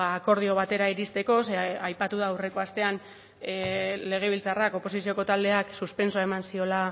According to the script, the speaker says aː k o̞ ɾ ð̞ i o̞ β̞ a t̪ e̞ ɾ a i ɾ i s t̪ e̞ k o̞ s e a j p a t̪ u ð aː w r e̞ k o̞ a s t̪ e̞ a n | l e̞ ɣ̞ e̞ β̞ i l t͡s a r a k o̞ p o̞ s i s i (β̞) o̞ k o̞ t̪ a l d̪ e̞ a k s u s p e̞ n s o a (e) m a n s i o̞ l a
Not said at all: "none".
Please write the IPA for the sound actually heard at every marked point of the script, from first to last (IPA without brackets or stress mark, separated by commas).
none, e